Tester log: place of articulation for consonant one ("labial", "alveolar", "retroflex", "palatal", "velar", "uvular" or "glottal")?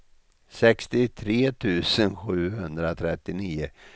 alveolar